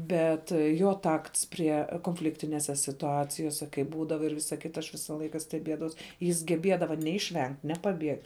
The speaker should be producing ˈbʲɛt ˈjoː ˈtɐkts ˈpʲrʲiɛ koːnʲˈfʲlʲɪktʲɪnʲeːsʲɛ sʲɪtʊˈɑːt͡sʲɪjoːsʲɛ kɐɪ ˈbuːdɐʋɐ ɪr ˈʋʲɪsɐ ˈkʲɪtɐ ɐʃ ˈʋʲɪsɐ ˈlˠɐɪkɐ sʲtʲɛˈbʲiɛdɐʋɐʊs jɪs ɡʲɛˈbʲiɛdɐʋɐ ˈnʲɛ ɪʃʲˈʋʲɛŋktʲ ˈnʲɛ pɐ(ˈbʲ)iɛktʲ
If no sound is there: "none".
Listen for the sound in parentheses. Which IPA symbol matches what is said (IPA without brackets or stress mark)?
bʲ